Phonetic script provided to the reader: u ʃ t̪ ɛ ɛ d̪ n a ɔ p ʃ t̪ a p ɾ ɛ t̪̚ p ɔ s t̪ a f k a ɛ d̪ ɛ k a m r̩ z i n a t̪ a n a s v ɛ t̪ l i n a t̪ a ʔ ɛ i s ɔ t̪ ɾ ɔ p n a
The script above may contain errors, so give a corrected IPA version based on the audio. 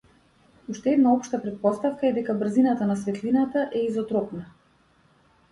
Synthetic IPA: u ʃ t̪ ɛ ɛ d̪ n a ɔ p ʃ t̪ a p ɾ ɛ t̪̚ p ɔ s t̪ a f k a ɛ d̪ ɛ k a b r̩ z i n a t̪ a n a s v ɛ t̪ l i n a t̪ a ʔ ɛ i z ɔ t̪ ɾ ɔ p n a